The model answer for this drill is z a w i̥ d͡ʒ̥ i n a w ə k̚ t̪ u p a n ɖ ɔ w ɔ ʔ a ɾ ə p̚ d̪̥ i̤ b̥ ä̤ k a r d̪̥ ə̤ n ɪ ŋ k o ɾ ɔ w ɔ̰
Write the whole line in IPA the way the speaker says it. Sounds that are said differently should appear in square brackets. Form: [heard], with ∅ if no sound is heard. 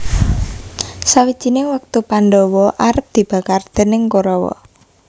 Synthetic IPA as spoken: [s] a w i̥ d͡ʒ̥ i n [e] w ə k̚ t̪ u p a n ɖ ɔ w ɔ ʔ a ɾ ə p̚ d̪̥ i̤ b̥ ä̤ k a r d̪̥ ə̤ n ɪ ŋ k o ɾ ɔ w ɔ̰